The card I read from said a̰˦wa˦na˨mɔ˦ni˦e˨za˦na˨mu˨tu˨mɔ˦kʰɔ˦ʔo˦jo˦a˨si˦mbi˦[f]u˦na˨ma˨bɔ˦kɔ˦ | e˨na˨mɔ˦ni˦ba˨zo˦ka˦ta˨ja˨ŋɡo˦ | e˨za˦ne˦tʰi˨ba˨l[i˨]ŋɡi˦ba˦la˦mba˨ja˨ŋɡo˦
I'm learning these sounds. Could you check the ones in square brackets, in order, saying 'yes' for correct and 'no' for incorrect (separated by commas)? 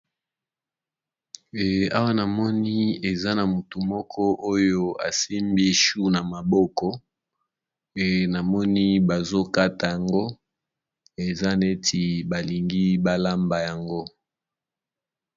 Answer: no, yes